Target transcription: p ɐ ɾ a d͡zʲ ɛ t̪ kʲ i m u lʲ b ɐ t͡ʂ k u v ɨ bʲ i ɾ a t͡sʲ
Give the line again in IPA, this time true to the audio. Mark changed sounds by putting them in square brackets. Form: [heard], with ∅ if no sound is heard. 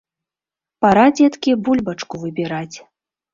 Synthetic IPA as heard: p [a] ɾ a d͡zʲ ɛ t̪ kʲ i [b] u lʲ b ɐ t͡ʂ k u v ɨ bʲ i ɾ a t͡sʲ